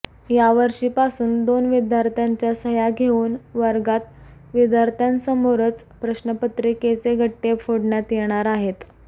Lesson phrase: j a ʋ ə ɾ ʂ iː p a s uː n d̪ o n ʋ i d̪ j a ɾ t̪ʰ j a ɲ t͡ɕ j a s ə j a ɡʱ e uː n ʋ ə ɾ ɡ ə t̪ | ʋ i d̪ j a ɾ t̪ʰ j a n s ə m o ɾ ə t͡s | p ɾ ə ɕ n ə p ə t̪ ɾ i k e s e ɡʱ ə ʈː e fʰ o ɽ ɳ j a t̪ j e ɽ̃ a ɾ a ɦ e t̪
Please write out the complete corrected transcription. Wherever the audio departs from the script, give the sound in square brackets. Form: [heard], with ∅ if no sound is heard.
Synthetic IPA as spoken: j a ʋ ə ɾ ʂ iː p a s uː n d̪ o n ʋ i d̪ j a ɾ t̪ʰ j a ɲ t͡ɕ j a s ə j a ɡʱ e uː n ʋ ə ɾ ɡ [a] t̪ | ʋ i d̪ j a ɾ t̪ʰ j a n s ə m o ɾ ə t͡s | p ɾ ə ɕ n ə p ə t̪ ɾ i k e [t͡s] e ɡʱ ə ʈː e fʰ o ɽ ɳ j a t̪ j e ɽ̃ a ɾ a ɦ e t̪